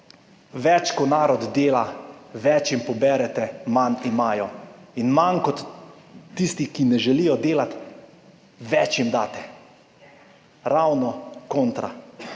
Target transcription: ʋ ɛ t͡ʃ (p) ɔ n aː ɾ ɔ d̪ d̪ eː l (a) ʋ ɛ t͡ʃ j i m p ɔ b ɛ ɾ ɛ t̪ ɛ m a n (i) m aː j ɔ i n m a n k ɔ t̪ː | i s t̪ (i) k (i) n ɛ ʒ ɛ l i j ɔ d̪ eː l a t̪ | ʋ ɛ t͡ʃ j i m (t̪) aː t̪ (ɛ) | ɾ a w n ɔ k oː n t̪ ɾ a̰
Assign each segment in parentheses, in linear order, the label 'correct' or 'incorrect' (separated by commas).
incorrect, correct, correct, correct, correct, incorrect, correct